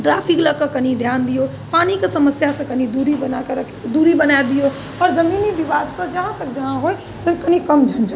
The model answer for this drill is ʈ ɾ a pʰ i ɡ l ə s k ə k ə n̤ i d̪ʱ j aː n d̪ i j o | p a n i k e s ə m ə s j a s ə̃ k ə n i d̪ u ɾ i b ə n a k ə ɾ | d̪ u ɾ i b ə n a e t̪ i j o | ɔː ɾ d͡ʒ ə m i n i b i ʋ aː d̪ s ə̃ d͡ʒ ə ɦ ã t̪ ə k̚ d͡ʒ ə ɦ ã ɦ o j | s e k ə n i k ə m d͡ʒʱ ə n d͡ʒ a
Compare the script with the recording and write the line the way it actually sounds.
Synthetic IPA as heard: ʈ ɾ a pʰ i k l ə k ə k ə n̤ i d̪ʱ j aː n d̪ i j o | p a n i k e s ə m ə s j a s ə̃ k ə n i d̪ u ɾ i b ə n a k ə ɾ | d̪ u ɾ i b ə n a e d̪ i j o | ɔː ɾ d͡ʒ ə m i n i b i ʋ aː d̪ s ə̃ d͡ʒ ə ɦ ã t̪ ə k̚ d͡ʒ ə ɦ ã ɦ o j | s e k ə n i k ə m d͡ʒʱ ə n d͡ʒ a